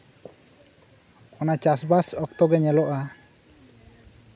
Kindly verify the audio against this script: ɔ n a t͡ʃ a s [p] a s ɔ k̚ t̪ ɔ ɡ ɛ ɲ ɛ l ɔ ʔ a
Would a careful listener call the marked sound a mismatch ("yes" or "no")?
yes